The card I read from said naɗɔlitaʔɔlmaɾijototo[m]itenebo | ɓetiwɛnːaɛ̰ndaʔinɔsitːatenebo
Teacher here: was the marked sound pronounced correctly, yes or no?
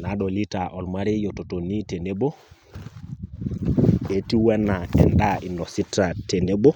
no